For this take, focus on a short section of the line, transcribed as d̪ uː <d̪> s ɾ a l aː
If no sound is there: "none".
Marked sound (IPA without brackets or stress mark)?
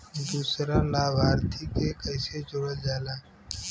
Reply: none